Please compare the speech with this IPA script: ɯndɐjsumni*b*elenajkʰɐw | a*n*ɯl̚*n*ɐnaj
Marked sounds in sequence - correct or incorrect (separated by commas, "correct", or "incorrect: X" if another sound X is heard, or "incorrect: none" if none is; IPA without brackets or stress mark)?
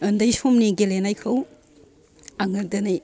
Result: incorrect: ɡ, incorrect: ŋ, incorrect: d